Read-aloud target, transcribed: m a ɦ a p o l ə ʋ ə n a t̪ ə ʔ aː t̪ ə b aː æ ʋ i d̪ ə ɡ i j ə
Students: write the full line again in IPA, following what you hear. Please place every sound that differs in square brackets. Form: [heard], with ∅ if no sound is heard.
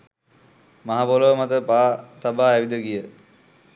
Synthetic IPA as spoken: m a ɦ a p o l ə ʋ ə [m] a t̪ ə [p] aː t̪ [a] b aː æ ʋ i d̪ ə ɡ i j ə